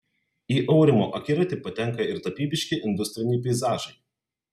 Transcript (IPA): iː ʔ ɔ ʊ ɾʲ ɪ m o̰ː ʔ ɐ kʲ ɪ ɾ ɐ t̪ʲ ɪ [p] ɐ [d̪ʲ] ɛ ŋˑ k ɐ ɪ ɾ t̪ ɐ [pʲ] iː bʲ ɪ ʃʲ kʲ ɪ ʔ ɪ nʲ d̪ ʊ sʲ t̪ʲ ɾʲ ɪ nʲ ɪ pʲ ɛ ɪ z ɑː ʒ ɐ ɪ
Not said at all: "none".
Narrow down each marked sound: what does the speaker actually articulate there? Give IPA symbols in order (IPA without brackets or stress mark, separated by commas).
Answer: p, t̪ʲ, pʲ